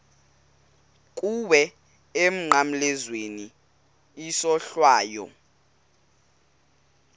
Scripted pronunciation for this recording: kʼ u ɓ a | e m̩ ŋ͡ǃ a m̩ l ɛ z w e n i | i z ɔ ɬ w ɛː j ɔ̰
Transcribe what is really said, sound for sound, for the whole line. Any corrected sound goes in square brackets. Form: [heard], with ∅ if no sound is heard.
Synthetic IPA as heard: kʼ u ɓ [ɛ] | e m̩ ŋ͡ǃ a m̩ l ɛ z w e n i | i [s] ɔ ɬ w [aː] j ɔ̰